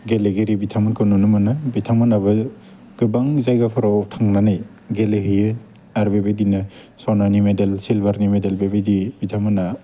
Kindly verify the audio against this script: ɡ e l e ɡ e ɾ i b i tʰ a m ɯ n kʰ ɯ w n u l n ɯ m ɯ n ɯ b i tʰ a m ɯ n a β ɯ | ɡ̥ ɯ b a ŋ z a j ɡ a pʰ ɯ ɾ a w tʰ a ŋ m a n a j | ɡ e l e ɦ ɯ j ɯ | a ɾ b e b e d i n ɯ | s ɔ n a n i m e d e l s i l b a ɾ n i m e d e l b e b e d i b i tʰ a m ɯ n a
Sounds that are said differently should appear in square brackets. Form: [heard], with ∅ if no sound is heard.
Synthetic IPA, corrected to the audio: ɡ e l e ɡ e ɾ i b i tʰ a m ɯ n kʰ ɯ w n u [∅] n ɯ m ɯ n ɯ b i tʰ a m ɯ n a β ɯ | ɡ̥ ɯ b a ŋ z a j ɡ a pʰ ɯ ɾ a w tʰ a ŋ [n] a n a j | ɡ e l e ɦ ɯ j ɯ | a ɾ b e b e d i n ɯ | s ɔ n a n i m e d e l s i l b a ɾ n i m e d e l b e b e d i b i tʰ a m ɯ n a